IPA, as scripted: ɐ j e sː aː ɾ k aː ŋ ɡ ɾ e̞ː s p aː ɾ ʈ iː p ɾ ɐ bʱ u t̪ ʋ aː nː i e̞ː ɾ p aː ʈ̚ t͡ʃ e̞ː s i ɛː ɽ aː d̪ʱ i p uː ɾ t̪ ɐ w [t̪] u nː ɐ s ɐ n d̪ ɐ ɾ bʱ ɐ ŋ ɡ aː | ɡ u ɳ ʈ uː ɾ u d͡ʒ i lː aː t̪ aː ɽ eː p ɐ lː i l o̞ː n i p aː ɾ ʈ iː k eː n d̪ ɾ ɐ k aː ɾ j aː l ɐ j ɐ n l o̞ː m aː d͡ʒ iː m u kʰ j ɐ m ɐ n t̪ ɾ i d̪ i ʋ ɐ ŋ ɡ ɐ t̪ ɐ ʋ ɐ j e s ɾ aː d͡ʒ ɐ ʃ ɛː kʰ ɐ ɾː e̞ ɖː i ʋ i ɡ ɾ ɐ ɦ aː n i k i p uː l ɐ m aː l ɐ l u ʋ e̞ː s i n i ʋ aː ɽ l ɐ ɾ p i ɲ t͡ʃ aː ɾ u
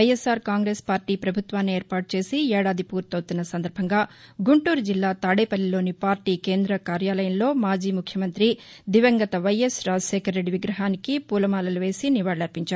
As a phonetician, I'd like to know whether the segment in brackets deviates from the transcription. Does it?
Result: no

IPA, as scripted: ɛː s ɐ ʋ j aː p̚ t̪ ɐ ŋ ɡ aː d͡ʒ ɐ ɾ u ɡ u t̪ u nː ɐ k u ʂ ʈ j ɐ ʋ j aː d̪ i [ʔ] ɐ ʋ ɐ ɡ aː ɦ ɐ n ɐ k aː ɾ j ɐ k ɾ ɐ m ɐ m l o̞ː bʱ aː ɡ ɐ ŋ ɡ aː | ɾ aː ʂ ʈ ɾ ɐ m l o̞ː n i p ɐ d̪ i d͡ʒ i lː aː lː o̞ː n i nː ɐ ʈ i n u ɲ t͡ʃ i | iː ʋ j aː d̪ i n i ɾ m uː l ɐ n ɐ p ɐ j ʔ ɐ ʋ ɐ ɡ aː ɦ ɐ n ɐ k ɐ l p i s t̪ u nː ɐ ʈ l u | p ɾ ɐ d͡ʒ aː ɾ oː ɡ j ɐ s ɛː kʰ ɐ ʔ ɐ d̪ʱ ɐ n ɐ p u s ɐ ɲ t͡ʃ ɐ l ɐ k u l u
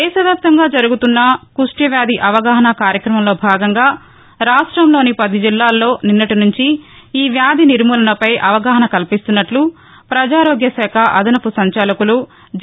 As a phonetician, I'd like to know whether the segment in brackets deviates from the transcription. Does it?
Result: no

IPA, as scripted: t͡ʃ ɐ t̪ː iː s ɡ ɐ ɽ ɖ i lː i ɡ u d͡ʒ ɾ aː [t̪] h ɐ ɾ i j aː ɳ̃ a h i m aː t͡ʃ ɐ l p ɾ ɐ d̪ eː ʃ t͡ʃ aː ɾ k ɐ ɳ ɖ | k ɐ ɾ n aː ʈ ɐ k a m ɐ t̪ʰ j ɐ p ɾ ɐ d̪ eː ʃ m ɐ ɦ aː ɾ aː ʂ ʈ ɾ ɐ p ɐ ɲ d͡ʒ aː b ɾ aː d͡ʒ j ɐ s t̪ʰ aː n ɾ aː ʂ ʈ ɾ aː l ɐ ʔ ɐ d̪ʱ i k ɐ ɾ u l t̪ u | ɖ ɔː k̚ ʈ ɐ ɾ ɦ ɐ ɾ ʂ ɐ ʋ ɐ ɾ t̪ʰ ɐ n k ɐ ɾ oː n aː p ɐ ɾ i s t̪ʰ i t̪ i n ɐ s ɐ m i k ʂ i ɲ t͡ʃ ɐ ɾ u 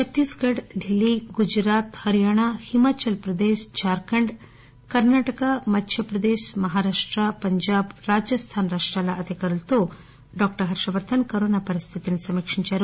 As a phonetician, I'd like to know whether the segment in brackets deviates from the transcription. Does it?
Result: no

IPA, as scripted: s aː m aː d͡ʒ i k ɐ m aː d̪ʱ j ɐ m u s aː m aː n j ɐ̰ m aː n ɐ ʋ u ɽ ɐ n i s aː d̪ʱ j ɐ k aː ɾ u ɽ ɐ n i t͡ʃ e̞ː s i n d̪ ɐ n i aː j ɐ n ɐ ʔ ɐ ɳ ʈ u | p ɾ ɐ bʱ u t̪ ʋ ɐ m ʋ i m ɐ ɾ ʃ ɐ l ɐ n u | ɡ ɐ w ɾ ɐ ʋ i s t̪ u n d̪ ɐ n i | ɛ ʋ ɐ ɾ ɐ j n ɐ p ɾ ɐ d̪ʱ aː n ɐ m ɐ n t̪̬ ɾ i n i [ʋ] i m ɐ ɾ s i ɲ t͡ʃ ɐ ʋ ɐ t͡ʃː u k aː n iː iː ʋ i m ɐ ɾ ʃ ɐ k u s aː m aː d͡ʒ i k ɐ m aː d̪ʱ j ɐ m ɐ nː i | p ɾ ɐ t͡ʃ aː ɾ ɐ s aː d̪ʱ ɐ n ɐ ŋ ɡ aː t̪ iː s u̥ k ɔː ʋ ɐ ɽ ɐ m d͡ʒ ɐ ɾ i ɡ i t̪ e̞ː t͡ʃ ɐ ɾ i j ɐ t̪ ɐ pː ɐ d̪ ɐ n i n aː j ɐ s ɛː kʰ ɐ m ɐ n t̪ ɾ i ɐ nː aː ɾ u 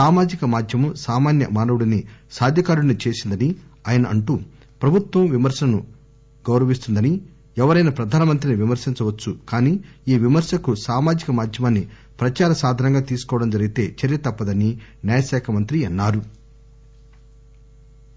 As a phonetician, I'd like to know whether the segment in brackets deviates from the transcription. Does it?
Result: no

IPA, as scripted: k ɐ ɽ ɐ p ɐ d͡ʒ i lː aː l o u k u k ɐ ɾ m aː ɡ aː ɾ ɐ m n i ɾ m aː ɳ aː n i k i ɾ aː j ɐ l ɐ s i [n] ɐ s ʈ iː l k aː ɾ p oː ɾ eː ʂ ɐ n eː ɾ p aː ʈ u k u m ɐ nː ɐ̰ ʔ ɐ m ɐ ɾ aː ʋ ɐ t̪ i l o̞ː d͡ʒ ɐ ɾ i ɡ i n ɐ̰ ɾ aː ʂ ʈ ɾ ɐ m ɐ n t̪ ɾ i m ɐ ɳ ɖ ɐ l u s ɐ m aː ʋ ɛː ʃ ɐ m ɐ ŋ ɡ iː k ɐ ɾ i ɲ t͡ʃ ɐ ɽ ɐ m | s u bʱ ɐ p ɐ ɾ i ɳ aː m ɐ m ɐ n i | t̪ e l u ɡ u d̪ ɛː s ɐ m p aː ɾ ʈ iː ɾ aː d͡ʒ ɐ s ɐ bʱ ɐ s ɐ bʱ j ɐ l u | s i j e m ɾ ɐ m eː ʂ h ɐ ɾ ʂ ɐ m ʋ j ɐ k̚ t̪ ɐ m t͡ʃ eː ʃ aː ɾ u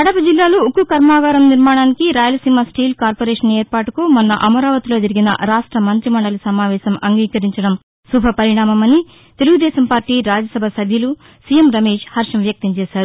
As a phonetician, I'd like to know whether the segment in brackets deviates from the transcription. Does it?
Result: yes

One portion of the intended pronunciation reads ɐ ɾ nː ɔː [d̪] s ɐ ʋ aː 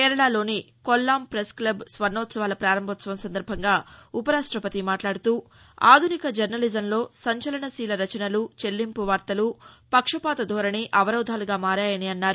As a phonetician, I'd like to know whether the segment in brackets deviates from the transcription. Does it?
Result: yes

